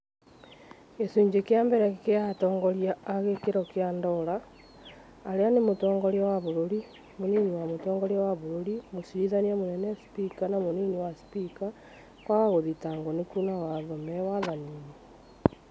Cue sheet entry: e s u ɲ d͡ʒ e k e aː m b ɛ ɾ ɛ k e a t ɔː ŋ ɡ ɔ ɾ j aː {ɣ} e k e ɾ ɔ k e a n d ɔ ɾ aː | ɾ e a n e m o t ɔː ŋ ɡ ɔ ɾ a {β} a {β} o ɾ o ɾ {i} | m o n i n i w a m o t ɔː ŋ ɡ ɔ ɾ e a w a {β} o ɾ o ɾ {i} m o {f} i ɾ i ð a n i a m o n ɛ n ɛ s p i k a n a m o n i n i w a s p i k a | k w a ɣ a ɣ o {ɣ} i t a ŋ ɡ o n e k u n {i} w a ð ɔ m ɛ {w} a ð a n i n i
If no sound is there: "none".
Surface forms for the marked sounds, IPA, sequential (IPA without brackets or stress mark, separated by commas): ɣ, w, β, i, β, i, s, ð, a, w